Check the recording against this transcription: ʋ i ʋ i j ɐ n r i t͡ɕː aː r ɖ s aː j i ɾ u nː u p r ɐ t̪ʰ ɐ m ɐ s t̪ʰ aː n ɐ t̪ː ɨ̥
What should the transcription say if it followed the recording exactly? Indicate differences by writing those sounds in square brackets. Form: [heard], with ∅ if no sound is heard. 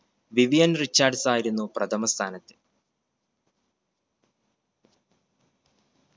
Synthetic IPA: ʋ i ʋ i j ɐ n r i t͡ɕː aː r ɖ s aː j i ɾ u nː u p r ɐ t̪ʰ ɐ m ɐ s t̪ʰ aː n ɐ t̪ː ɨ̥